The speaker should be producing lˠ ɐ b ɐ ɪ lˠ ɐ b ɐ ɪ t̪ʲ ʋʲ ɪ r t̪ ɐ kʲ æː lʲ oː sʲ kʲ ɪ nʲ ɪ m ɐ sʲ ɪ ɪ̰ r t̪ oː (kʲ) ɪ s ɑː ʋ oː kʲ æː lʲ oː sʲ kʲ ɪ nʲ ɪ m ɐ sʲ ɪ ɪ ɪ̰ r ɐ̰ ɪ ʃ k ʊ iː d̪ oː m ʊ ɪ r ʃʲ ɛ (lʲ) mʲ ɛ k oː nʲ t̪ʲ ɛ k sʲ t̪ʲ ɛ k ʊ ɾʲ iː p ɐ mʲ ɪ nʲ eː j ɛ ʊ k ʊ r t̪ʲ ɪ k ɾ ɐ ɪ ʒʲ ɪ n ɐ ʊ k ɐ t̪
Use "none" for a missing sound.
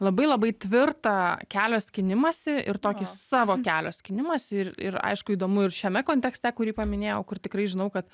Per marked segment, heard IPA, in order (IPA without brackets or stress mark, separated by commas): kʲ, none